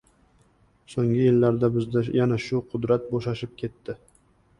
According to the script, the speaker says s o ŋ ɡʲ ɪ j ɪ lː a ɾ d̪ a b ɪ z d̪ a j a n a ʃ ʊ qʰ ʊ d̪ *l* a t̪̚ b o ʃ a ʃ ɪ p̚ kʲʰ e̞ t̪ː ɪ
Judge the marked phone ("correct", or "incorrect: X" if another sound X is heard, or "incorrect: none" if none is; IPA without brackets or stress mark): incorrect: ɾ